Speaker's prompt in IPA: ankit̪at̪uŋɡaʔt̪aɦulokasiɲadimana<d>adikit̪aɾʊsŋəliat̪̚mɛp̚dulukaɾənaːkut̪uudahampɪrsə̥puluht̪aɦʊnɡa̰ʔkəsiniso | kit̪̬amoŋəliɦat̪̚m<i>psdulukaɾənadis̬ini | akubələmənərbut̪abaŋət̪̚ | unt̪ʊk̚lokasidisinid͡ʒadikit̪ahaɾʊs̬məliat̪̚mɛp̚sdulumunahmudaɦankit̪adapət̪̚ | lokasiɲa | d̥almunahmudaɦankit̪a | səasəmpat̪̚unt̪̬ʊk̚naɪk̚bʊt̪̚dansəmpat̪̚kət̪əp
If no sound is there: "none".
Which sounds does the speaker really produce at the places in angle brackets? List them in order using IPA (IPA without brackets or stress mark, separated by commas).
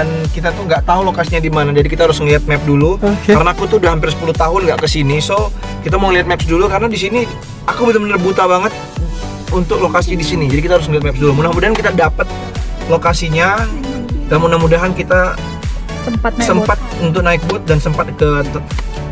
d͡ʒ, ɛ